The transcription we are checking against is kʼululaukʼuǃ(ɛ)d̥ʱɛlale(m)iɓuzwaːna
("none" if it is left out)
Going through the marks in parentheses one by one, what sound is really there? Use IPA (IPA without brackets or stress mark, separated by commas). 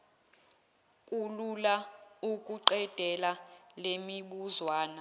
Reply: ɛ, m